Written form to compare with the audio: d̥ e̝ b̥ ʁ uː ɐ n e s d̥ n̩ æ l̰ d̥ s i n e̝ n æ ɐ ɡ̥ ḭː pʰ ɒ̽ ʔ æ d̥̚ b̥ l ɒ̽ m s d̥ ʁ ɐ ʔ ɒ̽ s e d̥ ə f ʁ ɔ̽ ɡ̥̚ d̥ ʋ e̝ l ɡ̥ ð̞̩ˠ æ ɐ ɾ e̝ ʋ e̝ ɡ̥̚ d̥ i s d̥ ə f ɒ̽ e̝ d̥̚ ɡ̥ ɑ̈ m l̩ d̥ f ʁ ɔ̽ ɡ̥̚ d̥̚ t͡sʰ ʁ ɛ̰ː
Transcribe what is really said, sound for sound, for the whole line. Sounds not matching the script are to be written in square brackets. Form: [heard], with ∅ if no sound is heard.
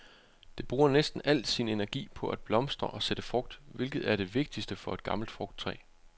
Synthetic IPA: d̥ e̝ b̥ ʁ uː ɐ n e s d̥ n̩ æ l̰ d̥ s i n e̝ n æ ɐ ɡ̥ ḭː pʰ ɒ̽ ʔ æ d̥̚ b̥ l ɒ̽ m s d̥ ʁ ɐ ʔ ɒ̽ s e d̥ ə f ʁ ɔ̽ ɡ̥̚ d̥ ʋ e̝ l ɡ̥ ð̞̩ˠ æ ɐ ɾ e̝ ʋ e̝ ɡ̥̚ d̥ i s d̥ ə f ɒ̽ e̝ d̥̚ ɡ̥ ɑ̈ m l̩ d̥ f ʁ ɔ̽ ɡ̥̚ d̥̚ t͡sʰ ʁ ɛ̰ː